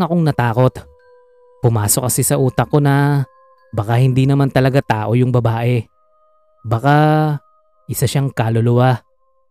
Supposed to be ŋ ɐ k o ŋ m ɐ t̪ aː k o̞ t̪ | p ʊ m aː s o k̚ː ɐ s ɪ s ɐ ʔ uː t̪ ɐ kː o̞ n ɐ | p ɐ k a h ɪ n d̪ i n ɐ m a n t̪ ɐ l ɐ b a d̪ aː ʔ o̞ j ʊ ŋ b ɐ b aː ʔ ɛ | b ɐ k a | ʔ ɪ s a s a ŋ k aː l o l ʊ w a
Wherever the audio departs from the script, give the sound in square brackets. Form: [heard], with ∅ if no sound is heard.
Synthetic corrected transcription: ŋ ɐ k o ŋ [n] ɐ t̪ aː k o̞ t̪ | p ʊ m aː s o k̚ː ɐ s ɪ s ɐ ʔ uː t̪ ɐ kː o̞ n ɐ | [b] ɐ k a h ɪ n d̪ i n ɐ m a n t̪ ɐ l ɐ [ɡ] a [t̪] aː ʔ o̞ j ʊ ŋ b ɐ b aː ʔ ɛ | b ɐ k a | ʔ ɪ s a [ʃ] a ŋ k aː l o l ʊ w a